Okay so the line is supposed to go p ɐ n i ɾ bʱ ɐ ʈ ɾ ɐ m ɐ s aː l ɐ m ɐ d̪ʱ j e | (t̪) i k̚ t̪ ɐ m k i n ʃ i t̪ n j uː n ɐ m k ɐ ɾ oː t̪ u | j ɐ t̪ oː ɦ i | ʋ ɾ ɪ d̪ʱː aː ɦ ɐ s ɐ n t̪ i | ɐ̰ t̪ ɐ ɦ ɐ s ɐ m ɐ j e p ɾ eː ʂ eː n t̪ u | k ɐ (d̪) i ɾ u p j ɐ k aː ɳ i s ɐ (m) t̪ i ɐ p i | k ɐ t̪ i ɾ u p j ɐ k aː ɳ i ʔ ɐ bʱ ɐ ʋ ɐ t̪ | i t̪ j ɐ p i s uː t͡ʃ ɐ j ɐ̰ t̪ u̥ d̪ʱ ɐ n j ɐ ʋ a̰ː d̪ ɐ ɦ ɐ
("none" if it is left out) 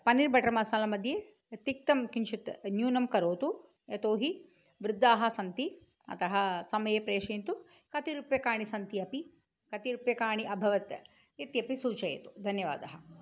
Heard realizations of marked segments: t̪, t̪, n

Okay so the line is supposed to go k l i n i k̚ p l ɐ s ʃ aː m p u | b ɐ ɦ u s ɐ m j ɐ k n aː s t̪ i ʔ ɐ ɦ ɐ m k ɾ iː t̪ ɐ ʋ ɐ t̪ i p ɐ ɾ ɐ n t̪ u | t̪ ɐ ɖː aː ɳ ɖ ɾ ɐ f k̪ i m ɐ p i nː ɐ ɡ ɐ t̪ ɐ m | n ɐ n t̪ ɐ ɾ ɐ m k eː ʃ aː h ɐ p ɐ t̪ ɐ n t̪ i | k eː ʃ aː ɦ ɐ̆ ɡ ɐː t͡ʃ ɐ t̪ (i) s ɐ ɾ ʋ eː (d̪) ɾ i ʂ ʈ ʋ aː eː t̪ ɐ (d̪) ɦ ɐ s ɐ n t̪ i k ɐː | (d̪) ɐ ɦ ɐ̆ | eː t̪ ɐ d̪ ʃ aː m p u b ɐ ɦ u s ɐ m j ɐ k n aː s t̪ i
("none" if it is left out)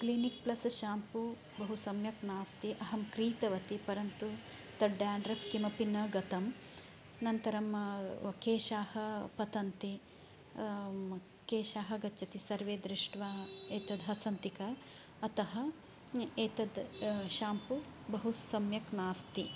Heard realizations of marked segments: i, d̪, d̪, t̪

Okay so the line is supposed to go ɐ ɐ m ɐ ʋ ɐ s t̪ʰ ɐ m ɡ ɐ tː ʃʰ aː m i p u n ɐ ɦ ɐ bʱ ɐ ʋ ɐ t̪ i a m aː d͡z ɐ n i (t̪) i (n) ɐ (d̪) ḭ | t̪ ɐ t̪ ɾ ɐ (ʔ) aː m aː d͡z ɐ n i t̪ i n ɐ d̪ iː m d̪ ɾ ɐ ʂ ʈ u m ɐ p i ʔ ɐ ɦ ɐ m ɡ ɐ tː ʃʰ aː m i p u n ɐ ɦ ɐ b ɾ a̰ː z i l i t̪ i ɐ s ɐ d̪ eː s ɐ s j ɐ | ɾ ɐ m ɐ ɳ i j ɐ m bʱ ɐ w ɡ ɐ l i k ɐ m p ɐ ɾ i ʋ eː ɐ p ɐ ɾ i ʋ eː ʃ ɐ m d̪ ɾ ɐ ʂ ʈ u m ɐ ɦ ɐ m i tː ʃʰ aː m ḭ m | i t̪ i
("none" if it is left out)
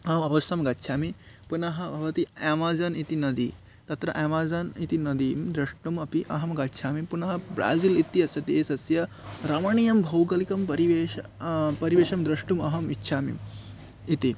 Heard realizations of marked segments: t̪, n, d̪, ʔ

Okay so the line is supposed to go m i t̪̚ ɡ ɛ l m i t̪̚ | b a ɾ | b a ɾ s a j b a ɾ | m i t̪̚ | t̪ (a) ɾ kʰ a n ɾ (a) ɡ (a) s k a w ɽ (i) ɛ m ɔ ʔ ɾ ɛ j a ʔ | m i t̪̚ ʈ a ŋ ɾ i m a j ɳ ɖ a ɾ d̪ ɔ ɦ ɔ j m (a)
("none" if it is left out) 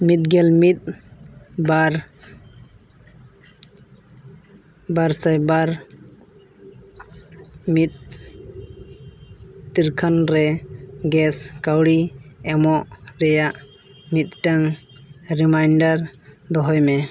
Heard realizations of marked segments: i, ɛ, ɛ, i, ɛ

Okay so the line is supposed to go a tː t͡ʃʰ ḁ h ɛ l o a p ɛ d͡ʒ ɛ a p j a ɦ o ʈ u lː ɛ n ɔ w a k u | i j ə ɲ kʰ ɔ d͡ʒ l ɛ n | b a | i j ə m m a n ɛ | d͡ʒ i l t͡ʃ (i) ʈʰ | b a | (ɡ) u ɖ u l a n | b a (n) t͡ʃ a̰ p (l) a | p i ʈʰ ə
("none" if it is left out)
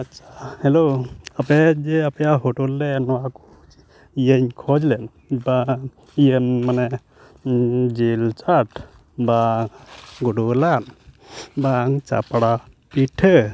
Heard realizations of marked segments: a, ɡ, ŋ, ɽ

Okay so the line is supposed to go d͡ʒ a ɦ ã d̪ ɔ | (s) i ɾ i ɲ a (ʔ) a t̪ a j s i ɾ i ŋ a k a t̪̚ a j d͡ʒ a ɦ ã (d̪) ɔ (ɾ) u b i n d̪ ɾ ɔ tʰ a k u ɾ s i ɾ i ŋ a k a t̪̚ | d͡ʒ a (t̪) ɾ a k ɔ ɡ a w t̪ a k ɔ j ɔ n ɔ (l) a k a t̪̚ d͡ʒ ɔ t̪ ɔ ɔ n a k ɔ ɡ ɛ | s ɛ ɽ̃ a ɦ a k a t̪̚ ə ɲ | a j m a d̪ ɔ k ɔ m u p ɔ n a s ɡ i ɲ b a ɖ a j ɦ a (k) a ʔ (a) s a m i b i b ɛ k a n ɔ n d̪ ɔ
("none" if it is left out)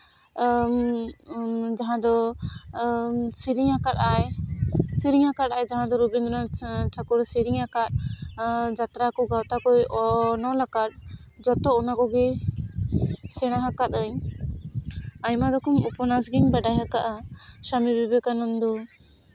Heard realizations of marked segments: s, k, d̪, ɾ, t̪, l, k, a

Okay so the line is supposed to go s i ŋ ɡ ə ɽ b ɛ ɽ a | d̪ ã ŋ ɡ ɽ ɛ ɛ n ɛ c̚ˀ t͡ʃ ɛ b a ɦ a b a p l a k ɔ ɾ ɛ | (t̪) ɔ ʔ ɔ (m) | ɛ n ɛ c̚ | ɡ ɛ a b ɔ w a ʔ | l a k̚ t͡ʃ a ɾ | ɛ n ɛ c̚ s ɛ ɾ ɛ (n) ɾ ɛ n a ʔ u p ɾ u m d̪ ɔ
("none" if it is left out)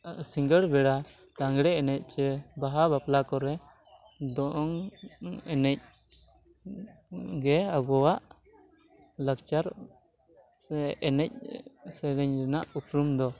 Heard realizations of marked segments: d̪, ŋ, ɲ

